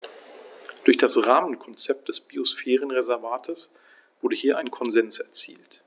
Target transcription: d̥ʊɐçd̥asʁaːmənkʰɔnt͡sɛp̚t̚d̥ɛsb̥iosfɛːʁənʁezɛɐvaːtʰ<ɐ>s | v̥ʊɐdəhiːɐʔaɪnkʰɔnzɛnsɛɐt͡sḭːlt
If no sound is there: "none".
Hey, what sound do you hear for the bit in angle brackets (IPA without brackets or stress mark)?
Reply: ə